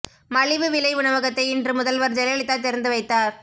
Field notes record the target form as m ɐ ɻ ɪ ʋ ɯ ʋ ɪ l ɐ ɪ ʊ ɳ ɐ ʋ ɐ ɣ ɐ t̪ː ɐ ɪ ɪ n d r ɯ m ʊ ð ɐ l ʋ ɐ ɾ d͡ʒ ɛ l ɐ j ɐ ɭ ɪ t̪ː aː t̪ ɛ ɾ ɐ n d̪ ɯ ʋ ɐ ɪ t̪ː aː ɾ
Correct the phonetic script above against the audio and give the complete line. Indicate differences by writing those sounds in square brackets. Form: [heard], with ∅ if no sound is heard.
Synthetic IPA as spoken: m ɐ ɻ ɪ ʋ ɯ ʋ ɪ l ɐ ɪ ʊ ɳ ɐ ʋ ɐ ɣ ɐ t̪ː ɐ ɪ ɪ n d r ɯ m ʊ ð ɐ l ʋ ɐ ɾ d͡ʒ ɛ l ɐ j ɐ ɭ ɪ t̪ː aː t̪ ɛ ɾ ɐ n d̪ ɯ ʋ ɐ ɪ t̪ː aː ɾ